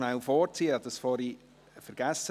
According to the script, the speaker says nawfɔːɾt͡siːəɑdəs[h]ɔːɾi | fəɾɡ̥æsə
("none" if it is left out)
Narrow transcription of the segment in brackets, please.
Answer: f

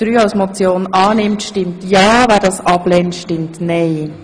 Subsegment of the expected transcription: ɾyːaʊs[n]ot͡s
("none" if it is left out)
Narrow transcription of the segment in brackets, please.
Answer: m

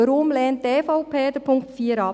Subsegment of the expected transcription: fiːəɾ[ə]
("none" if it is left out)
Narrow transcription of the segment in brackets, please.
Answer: ɑ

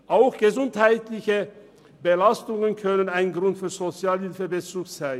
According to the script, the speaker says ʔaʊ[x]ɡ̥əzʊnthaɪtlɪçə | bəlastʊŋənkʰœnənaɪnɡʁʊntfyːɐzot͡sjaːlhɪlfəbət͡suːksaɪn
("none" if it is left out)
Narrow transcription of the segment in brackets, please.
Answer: x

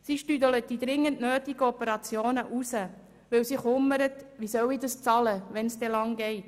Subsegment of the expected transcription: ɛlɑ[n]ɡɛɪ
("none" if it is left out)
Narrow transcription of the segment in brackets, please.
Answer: ŋ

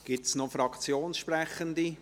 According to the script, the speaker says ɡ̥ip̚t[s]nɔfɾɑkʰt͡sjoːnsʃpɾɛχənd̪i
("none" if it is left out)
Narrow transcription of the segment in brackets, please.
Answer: s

